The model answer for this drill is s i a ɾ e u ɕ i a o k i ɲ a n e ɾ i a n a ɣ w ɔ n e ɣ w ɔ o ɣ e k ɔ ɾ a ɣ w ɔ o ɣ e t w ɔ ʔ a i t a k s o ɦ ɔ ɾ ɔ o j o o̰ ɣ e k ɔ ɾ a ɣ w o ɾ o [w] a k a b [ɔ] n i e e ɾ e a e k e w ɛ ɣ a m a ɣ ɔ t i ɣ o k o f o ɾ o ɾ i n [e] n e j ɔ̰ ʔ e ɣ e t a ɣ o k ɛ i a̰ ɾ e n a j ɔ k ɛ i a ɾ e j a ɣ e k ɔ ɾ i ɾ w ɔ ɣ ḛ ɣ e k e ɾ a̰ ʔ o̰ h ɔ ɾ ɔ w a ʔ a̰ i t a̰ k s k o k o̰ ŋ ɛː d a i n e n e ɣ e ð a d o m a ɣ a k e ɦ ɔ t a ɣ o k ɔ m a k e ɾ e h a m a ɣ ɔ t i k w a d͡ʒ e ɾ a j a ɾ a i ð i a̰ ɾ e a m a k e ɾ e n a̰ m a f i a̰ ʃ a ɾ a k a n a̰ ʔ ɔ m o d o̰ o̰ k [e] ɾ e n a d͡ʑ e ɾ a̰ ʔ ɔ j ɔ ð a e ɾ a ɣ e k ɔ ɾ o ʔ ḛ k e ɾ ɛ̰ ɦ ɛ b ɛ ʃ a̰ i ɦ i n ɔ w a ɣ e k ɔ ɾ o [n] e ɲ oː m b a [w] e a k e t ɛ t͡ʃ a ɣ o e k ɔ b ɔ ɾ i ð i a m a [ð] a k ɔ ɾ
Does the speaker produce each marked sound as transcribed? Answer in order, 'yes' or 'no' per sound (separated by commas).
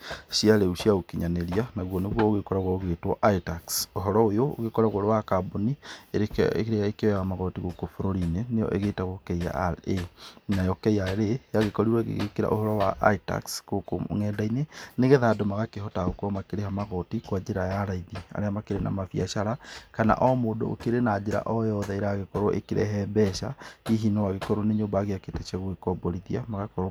yes, no, yes, yes, yes, no, no